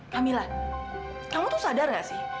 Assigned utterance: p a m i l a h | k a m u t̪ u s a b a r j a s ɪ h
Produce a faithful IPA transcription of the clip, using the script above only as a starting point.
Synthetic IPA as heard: k a m i l a h | k a m u t̪ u s a d a r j a s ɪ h